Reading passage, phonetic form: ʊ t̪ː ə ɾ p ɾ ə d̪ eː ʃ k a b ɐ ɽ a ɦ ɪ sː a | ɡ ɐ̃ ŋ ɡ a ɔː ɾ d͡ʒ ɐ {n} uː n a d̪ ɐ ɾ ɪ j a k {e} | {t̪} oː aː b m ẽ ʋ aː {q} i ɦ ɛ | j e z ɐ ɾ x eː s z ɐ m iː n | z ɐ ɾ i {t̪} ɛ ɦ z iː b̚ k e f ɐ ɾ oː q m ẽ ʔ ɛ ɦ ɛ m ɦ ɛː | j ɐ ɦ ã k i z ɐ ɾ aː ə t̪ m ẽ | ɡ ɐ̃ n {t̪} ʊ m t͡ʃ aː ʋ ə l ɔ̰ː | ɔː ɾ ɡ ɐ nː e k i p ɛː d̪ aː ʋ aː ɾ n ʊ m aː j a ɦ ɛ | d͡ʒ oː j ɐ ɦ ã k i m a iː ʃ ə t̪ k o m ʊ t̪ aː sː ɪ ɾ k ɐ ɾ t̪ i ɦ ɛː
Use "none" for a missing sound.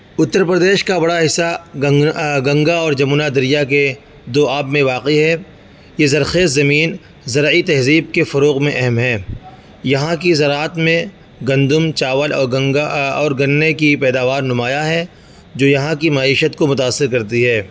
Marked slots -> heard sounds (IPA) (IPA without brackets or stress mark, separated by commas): m, e, d̪, q, t̪, d̪